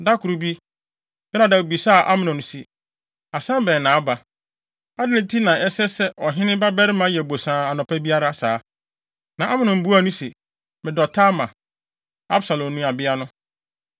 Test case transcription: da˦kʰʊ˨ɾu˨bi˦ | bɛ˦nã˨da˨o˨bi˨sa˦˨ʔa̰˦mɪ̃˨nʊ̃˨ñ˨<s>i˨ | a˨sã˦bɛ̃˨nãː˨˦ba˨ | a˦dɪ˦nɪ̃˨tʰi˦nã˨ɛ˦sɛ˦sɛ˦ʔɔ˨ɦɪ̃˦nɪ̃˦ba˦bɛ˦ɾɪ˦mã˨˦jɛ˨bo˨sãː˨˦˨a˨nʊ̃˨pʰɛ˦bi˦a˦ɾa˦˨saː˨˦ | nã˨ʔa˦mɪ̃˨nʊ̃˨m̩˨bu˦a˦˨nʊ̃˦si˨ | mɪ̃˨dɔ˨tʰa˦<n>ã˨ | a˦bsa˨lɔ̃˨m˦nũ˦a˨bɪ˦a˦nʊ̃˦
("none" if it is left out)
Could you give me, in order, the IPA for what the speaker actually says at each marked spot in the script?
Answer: s, m

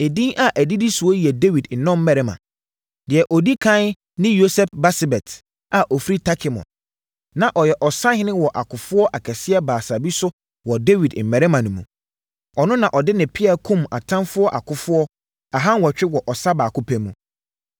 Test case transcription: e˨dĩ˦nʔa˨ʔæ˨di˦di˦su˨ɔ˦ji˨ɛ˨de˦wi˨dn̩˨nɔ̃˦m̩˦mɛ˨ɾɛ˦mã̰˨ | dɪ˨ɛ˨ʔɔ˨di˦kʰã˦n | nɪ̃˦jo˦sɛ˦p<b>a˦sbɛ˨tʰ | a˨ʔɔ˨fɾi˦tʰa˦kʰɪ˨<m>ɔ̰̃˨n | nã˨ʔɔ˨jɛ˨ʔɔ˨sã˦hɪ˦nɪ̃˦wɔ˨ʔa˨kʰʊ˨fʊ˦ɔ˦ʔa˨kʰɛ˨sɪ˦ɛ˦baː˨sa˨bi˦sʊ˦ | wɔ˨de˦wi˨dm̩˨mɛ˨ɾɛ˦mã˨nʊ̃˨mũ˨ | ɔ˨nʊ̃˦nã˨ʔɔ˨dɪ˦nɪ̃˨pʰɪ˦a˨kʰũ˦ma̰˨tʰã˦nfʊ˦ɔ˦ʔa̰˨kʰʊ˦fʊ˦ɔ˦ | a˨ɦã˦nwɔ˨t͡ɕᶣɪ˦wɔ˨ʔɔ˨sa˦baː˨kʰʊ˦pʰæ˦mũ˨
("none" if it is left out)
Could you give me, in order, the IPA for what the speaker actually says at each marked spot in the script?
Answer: b, m

